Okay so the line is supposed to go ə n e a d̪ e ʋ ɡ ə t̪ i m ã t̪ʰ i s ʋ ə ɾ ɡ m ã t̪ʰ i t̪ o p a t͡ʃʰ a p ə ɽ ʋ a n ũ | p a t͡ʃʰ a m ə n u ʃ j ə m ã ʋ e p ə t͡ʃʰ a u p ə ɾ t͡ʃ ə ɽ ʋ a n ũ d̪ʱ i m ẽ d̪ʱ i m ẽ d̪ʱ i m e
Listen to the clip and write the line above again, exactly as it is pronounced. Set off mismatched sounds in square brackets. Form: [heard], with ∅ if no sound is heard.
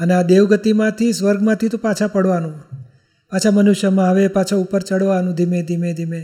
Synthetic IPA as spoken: ə n e a d̪ e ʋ ɡ ə t̪ i m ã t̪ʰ i s ʋ ə ɾ ɡ m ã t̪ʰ i t̪ o p a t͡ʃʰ a p ə ɽ ʋ a n ũ | p a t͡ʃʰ a m ə n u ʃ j ə m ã ʋ e p [a] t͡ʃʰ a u p ə ɾ t͡ʃ ə ɽ ʋ a n ũ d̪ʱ i m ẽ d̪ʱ i m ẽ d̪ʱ i m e